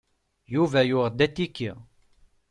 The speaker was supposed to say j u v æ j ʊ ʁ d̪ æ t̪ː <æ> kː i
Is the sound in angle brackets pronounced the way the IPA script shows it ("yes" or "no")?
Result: no